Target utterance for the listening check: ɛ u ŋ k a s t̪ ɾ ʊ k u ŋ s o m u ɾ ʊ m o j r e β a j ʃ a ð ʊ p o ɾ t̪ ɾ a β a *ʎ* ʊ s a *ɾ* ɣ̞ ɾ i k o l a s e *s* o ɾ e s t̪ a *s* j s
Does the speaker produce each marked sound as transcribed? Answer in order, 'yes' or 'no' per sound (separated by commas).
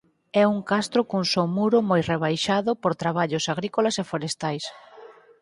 yes, no, no, no